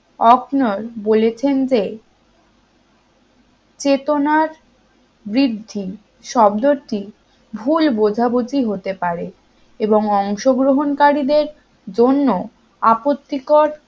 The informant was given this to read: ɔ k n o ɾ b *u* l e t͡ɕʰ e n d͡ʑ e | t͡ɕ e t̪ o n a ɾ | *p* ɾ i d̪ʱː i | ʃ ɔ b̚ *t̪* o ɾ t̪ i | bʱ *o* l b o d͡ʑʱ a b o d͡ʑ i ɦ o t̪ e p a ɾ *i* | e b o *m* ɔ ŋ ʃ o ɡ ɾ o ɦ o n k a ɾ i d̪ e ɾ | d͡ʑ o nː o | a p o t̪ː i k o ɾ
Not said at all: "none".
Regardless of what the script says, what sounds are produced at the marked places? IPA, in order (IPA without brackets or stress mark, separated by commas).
o, b, d̪, u, e, ŋ